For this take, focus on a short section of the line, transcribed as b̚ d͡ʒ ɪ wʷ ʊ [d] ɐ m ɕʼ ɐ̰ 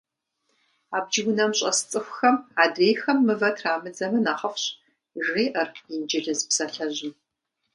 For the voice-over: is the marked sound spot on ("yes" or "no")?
no